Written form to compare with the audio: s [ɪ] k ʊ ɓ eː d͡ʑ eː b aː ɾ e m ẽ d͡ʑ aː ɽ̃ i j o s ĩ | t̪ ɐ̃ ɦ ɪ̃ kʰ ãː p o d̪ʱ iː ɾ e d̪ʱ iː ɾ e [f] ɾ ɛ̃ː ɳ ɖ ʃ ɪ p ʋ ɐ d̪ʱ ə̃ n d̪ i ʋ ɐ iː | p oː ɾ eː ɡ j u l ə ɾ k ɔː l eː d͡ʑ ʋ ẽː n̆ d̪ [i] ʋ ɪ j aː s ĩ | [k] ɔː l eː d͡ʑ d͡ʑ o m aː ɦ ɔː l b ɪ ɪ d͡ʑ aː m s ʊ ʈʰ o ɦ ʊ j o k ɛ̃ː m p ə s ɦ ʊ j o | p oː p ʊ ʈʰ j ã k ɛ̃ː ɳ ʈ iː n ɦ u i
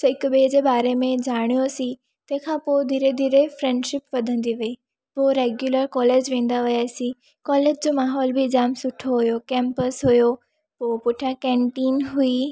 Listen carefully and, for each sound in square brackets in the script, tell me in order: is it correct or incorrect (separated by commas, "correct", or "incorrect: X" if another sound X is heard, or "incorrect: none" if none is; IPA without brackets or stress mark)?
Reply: correct, correct, incorrect: a, correct